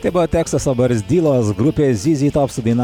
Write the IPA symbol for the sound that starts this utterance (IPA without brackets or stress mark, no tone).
t̪